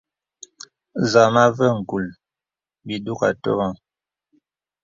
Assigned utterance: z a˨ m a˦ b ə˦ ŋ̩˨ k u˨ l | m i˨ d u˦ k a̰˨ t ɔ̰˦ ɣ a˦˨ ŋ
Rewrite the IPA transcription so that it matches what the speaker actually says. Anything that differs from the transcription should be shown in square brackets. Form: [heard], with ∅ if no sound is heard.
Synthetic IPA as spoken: z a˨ m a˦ [v] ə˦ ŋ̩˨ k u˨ l | [b] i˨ d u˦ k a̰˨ t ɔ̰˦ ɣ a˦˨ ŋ